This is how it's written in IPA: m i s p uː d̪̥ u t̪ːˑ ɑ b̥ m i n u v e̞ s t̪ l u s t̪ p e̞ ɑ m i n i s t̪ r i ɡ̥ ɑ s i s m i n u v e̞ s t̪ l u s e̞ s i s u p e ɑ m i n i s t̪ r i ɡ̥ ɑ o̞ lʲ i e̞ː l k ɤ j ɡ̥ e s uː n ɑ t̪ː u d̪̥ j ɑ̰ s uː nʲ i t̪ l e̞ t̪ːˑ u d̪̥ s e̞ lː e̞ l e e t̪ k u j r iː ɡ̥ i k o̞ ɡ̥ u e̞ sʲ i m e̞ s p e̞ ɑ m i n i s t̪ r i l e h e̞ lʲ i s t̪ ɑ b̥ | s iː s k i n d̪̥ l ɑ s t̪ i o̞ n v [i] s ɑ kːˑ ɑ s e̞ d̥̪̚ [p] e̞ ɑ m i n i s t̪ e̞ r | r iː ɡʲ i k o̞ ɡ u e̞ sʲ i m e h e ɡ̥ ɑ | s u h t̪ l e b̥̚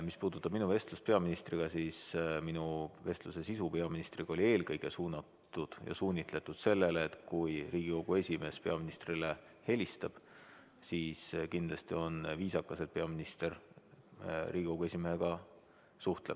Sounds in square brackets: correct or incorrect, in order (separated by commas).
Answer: incorrect, correct